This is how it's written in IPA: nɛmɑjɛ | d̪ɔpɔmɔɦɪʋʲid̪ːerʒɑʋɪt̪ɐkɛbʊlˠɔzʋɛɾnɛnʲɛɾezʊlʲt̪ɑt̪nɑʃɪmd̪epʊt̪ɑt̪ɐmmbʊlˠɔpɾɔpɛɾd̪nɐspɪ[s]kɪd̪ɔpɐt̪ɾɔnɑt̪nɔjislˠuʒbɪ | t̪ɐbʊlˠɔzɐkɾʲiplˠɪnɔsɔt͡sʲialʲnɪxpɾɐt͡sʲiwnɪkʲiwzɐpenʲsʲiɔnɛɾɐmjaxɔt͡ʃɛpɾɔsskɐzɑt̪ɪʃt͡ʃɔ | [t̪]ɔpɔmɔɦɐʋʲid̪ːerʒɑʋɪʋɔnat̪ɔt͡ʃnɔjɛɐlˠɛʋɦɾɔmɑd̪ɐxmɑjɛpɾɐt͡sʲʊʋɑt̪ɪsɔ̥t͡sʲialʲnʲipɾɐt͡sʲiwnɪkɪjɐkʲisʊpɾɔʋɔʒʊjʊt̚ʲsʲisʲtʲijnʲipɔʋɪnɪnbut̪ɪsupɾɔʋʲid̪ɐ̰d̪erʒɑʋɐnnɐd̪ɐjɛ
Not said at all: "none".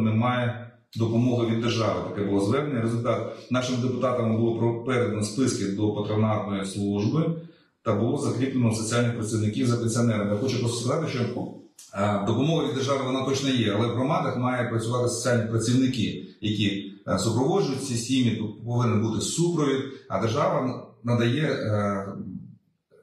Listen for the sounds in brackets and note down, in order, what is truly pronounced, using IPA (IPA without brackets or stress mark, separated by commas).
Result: s, d̪